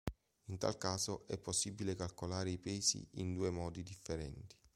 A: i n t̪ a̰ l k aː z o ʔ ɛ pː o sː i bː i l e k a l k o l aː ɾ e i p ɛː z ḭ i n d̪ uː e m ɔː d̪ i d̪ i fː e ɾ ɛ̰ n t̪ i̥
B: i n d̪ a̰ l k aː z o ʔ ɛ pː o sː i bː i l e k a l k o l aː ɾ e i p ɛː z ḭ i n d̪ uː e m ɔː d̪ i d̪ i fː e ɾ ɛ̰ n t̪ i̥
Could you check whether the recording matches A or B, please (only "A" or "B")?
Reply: A